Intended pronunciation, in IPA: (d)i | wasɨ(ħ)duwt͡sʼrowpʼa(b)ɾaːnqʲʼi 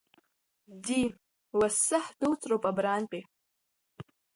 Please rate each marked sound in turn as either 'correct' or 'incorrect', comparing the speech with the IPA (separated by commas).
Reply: correct, correct, correct